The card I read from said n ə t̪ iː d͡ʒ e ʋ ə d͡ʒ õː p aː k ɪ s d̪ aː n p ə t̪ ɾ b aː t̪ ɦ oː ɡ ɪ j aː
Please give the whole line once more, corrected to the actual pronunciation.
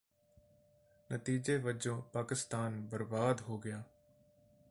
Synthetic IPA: n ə t̪ iː d͡ʒ e ʋ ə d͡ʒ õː p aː k ɪ s t̪ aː n b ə ɾ b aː d̪ ɦ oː ɡ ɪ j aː